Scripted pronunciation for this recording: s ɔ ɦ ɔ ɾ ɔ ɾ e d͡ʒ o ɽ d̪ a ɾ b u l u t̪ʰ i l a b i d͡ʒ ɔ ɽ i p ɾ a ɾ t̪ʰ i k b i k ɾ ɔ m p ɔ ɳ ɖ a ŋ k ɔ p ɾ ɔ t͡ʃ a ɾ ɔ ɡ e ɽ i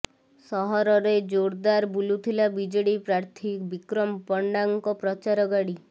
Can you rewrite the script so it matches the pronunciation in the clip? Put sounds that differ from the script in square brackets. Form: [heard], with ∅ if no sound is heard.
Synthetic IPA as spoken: s ɔ ɦ ɔ ɾ ɔ ɾ e d͡ʒ o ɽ d̪ a ɾ b u l u t̪ʰ i l a b i d͡ʒ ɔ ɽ i p ɾ a ɾ t̪ʰ i k b i k ɾ ɔ m p ɔ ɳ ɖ a ŋ k ɔ p ɾ ɔ t͡ʃ a ɾ ɔ ɡ [a] ɽ i